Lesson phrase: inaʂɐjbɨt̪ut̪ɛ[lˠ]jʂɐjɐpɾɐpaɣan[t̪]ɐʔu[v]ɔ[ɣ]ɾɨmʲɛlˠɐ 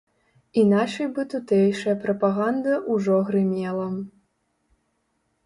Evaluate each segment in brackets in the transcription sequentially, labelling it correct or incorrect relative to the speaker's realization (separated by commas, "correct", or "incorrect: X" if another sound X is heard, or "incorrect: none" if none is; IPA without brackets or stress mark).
incorrect: none, incorrect: d̪, incorrect: ʐ, correct